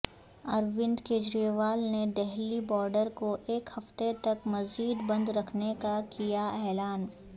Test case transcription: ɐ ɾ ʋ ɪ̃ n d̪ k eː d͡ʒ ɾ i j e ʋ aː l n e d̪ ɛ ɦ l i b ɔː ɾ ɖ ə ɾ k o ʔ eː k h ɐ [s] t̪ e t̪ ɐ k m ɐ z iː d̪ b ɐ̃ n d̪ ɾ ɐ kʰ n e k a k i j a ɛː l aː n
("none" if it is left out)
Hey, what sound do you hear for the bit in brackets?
f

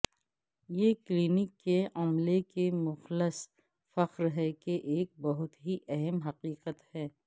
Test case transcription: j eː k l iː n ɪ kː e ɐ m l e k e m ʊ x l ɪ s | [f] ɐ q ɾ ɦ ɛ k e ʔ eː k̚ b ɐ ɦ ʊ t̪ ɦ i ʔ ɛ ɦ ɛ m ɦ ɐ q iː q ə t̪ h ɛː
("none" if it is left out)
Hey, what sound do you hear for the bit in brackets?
f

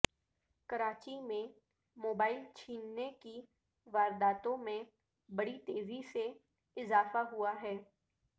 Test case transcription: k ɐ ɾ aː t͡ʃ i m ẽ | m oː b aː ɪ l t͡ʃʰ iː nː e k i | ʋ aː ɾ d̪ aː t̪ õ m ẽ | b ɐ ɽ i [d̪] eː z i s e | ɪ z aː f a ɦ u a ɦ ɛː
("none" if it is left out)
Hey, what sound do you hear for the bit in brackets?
t̪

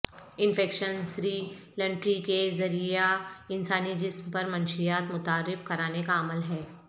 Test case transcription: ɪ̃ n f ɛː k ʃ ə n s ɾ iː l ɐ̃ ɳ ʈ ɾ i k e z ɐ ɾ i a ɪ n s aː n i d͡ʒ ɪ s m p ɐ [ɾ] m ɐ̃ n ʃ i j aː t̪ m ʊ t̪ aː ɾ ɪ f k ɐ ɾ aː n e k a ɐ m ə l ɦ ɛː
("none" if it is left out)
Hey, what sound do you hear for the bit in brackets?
ɾ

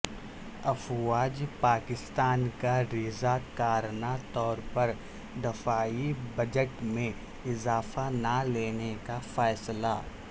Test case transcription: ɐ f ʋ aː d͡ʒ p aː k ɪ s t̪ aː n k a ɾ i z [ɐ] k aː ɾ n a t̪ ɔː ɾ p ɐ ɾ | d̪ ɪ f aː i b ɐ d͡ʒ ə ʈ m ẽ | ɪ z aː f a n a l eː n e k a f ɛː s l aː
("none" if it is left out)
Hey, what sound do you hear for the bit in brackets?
a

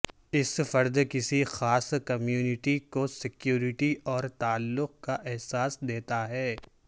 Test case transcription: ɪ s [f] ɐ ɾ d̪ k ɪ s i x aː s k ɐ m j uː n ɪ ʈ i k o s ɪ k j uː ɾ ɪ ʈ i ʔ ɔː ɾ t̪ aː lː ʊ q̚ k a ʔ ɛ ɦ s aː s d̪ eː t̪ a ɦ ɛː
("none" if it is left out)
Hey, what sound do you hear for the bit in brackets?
f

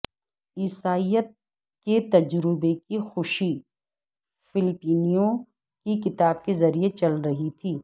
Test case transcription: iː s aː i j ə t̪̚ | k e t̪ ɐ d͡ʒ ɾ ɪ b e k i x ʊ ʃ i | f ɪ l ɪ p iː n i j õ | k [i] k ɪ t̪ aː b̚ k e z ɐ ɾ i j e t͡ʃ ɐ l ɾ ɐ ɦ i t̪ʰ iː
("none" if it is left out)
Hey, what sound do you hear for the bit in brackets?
i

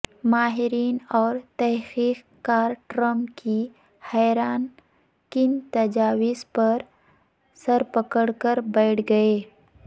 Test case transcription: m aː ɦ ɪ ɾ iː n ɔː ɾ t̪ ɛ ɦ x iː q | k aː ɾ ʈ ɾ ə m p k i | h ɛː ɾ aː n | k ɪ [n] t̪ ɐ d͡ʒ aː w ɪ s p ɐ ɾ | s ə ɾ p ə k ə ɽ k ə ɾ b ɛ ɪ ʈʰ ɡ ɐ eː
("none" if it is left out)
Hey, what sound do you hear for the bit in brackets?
n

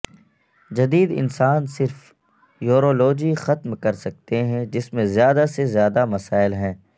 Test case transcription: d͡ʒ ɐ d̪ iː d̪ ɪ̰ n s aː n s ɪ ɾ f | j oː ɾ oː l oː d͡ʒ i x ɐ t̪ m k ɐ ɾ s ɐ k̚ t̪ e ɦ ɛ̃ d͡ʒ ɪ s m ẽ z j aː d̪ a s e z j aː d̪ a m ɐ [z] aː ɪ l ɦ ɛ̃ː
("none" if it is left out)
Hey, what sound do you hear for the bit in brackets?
s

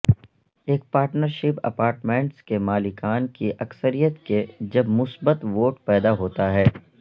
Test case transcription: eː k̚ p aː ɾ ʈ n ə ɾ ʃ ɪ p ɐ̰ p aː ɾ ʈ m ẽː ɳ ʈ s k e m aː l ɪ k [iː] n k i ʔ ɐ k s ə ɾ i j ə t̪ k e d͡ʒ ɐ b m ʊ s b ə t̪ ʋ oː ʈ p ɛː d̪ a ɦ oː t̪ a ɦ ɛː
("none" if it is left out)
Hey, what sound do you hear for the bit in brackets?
aː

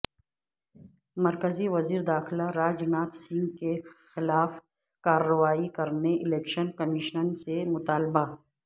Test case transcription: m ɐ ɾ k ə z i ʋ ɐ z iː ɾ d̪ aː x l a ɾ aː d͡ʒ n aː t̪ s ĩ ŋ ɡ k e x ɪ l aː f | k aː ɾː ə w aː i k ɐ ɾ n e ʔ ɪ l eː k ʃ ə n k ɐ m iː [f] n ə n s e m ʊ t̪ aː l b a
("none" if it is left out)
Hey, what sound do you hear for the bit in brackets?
ʃ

